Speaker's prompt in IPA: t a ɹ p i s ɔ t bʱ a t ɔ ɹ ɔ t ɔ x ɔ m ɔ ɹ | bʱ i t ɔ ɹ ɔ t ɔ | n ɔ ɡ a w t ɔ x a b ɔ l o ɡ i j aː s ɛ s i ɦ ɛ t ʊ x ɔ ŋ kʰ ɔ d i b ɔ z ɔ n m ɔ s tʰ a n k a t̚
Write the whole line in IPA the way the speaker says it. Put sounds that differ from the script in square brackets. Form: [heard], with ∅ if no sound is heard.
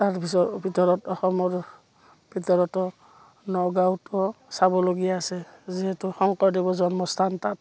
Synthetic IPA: t a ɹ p i s ɔ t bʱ [i] t ɔ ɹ ɔ t ɔ x ɔ m ɔ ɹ | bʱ i t ɔ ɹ ɔ t ɔ | n ɔ ɡ a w t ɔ [s] a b ɔ l o ɡ i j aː s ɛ [z] i ɦ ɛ t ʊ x ɔ ŋ [k] ɔ d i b ɔ z ɔ n m ɔ s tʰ a n [t] a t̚